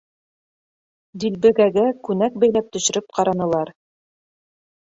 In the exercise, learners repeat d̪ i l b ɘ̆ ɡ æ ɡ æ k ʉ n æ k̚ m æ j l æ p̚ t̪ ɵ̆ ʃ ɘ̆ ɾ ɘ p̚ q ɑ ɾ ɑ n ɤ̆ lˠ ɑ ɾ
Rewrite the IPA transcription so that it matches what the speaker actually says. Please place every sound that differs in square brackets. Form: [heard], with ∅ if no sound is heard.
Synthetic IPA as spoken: d̪ i l b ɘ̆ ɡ æ ɡ æ k ʉ n æ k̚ [b] æ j l æ p̚ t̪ ɵ̆ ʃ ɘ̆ ɾ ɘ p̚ q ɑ ɾ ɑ n ɤ̆ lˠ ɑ ɾ

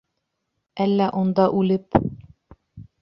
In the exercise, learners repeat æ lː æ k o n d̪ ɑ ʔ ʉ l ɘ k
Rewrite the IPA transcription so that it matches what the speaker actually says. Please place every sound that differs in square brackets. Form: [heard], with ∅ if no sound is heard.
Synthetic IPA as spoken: æ lː æ [ʔ] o n d̪ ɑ ʔ ʉ l ɘ [p]

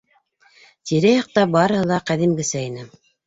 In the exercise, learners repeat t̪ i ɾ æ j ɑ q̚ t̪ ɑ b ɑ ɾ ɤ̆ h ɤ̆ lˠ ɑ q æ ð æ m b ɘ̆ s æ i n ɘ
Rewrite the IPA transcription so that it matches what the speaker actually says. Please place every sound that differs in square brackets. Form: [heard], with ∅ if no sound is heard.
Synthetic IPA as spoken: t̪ i ɾ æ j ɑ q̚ t̪ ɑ b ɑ ɾ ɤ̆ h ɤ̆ lˠ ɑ q æ ð [i] m [ɡ] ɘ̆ s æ i n ɘ

